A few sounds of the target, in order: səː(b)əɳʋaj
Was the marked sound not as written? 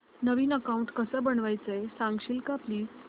no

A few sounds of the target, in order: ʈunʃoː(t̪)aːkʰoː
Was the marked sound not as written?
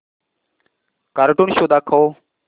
yes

